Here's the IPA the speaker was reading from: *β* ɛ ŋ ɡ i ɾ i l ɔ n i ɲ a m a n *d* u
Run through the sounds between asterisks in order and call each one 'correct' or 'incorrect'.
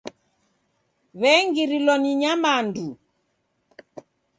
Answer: correct, correct

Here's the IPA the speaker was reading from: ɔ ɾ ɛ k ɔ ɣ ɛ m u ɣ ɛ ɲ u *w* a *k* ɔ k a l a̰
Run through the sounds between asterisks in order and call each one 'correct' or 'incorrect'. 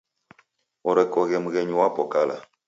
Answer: correct, incorrect: p

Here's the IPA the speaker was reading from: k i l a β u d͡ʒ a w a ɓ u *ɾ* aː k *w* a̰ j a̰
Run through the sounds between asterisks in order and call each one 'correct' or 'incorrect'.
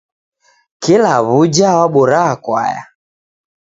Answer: correct, correct

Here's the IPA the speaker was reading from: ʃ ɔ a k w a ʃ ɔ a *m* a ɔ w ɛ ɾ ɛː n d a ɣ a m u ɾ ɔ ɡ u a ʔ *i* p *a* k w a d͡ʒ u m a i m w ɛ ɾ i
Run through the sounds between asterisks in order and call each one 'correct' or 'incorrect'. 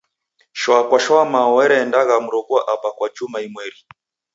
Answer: correct, incorrect: a, correct

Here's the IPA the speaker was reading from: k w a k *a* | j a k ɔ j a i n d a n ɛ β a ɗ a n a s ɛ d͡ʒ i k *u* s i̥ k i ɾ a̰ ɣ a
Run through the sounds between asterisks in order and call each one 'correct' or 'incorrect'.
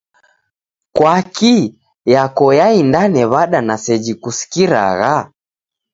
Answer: incorrect: i, correct

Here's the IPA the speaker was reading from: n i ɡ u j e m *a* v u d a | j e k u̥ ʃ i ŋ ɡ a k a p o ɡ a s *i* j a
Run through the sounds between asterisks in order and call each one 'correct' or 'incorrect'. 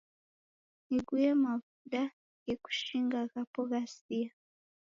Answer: correct, correct

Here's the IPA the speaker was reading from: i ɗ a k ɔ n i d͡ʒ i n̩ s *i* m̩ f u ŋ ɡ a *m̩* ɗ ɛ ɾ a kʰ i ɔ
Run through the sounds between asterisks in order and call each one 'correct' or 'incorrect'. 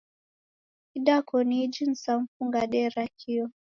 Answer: incorrect: a, incorrect: none

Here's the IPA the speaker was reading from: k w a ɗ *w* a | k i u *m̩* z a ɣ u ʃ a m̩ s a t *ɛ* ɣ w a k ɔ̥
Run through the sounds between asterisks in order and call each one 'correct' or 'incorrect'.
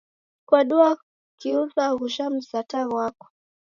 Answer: incorrect: u, incorrect: none, incorrect: a

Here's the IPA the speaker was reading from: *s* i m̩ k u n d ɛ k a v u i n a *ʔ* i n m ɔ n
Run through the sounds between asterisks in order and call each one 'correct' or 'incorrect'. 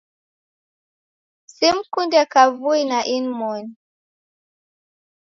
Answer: correct, correct

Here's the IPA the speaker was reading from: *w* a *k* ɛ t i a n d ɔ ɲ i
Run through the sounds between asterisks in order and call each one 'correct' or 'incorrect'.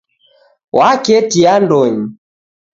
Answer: correct, correct

